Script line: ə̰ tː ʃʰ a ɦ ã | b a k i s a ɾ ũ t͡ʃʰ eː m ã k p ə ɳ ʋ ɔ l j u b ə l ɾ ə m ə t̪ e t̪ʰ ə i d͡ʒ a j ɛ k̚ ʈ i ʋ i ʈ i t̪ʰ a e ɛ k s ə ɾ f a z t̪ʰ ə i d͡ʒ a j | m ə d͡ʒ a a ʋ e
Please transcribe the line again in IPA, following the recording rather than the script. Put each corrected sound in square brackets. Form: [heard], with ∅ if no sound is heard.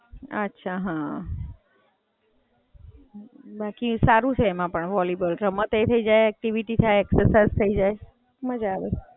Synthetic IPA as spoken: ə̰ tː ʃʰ a ɦ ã | b a k i s a ɾ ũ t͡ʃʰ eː m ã [∅] p ə ɳ ʋ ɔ l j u b ə l ɾ ə m ə t̪ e t̪ʰ ə i d͡ʒ a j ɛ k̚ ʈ i ʋ i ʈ i t̪ʰ a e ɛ k s ə ɾ [s] a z t̪ʰ ə i d͡ʒ a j | m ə d͡ʒ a a ʋ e